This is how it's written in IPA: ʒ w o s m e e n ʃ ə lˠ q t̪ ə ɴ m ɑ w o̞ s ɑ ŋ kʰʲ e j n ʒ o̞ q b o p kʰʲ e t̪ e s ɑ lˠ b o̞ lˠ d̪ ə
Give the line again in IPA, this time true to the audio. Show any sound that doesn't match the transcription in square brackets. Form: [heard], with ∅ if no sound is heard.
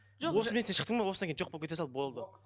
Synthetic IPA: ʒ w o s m e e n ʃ ə [∅] q t̪ ə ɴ m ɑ w o̞ s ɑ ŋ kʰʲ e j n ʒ o̞ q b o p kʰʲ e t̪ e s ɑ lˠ b o̞ lˠ d̪ ə